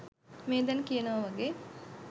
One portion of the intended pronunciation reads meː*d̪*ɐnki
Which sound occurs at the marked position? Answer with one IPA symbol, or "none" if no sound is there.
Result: d̪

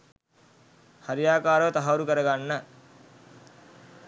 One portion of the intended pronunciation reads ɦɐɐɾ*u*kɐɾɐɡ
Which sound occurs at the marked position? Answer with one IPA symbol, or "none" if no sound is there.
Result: u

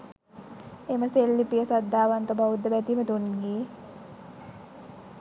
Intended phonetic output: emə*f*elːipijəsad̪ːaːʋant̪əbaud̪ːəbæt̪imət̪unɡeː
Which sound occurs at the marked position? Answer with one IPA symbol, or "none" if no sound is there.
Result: s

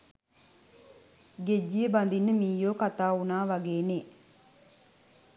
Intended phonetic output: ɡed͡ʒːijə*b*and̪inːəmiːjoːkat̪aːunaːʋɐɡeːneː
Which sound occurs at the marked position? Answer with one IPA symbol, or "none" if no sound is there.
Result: b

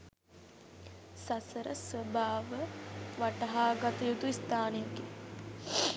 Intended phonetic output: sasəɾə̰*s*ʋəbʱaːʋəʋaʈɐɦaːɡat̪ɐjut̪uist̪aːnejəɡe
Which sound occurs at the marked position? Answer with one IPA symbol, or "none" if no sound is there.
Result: s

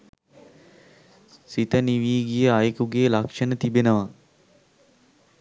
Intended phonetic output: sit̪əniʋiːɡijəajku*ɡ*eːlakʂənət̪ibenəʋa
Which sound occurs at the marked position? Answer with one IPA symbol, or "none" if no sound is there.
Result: ɡ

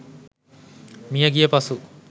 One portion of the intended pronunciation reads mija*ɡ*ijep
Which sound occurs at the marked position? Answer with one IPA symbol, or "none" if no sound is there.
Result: ɡ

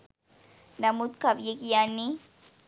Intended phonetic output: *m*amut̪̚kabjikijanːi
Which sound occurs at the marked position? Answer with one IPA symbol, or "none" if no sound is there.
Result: n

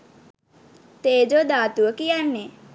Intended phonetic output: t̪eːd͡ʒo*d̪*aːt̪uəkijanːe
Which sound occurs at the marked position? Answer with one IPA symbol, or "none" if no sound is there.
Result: d̪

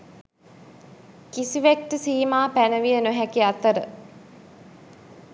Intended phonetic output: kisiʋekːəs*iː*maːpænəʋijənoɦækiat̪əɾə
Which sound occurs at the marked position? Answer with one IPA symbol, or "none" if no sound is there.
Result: iː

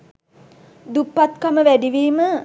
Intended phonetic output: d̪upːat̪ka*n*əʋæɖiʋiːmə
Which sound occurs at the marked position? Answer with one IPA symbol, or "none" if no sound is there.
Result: m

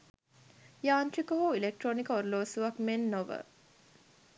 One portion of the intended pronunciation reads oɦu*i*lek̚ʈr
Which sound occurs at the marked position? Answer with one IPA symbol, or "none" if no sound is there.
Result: i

